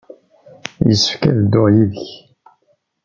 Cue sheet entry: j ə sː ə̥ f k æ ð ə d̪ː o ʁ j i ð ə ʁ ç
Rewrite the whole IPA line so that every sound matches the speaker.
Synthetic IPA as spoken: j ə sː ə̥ f k æ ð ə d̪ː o ʁ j i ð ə ç